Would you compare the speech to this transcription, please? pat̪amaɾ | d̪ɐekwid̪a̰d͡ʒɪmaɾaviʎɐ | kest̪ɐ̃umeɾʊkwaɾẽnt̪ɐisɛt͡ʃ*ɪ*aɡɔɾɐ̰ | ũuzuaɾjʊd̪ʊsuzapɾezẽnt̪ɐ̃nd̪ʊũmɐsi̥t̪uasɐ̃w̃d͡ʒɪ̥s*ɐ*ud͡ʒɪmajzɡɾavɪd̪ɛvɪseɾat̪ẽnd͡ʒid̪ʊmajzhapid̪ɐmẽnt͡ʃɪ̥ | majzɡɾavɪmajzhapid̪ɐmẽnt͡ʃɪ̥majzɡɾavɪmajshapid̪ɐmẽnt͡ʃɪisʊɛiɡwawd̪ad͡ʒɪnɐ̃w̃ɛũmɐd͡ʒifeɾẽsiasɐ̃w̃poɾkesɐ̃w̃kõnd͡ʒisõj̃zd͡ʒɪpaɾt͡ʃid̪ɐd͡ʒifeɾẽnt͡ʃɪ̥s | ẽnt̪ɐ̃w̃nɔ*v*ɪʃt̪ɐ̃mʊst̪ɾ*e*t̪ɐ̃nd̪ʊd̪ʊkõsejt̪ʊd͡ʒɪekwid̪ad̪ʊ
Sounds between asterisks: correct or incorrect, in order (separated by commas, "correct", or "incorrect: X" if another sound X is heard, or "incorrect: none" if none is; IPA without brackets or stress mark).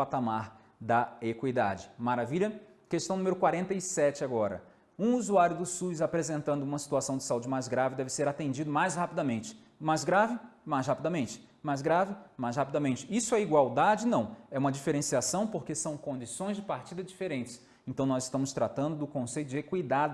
correct, incorrect: a, incorrect: z, incorrect: a